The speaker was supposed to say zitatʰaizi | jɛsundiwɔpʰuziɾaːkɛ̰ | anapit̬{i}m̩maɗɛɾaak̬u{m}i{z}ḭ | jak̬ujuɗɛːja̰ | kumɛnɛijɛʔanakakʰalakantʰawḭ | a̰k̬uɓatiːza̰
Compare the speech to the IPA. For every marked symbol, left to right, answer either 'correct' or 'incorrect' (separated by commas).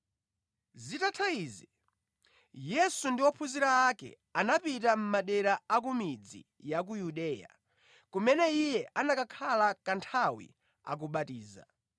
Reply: incorrect, correct, incorrect